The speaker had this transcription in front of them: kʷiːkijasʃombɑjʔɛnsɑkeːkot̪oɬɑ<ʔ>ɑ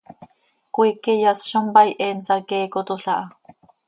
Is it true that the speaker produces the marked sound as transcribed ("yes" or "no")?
yes